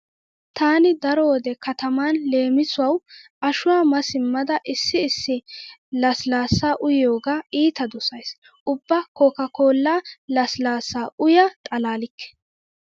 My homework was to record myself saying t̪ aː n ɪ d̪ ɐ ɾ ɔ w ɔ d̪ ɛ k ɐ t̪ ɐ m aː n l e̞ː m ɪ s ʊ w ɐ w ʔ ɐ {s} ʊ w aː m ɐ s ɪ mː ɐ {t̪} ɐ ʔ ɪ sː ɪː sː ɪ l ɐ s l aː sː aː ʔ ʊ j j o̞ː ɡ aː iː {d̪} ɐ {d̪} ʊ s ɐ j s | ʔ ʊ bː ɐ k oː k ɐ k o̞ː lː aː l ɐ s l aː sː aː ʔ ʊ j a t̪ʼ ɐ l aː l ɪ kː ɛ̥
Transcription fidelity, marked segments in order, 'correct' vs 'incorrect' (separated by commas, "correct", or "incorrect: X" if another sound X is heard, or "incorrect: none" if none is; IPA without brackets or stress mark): incorrect: ʃ, incorrect: d̪, incorrect: t̪, correct